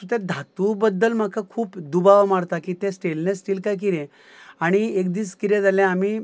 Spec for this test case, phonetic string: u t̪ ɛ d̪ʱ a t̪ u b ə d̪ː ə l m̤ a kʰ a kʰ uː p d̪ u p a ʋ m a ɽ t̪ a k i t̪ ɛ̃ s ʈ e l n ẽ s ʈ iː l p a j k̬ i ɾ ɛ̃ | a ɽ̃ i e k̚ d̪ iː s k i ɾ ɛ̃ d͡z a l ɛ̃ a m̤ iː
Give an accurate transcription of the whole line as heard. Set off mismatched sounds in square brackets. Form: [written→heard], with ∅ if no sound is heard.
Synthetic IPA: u t̪ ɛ d̪ʱ a t̪ u b ə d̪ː ə l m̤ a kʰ a kʰ uː p d̪ u [p→b] a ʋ m a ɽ t̪ a k i t̪ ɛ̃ s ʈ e l n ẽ s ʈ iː l [p→k] a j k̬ i ɾ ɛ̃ | a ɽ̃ i e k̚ d̪ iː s k i ɾ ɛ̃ d͡z a l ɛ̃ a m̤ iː